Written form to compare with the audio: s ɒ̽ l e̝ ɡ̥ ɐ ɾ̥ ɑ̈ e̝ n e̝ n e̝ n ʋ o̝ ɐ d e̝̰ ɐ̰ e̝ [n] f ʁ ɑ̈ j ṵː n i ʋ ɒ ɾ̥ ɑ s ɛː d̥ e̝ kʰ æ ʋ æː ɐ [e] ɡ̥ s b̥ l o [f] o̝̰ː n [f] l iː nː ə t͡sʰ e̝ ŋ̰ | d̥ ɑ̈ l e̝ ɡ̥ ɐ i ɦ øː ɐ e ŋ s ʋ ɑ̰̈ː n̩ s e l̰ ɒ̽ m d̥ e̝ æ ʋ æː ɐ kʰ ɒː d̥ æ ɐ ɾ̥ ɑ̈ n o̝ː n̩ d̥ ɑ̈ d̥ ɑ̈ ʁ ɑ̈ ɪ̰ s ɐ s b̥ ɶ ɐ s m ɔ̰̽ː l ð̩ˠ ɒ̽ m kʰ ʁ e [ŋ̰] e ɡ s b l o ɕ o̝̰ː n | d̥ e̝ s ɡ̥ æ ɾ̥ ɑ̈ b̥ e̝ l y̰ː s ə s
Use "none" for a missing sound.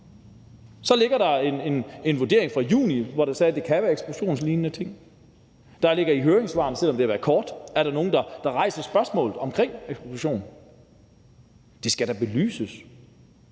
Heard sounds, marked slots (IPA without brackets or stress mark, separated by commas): ŋ, e, ɕ, s, ŋ̰